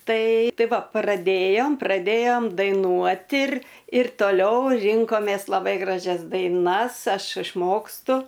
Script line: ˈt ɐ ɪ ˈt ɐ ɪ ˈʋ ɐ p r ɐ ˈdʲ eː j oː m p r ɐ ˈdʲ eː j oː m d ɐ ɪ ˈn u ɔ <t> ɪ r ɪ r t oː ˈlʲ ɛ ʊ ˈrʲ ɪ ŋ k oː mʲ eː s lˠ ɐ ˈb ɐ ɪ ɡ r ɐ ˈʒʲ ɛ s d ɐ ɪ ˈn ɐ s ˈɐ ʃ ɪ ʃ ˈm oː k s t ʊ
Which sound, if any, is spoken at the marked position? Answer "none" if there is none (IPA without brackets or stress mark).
t